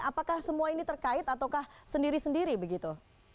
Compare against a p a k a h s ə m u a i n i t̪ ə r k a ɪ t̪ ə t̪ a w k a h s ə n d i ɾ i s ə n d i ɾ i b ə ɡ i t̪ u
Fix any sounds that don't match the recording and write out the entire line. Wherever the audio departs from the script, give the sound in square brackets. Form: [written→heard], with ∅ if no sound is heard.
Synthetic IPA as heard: a p a k a h s ə m u a i n i t̪ ə r k a ɪ t̪ [ə→a] t̪ a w k a h s ə n d i ɾ i s ə n d i ɾ i b ə ɡ i t̪ u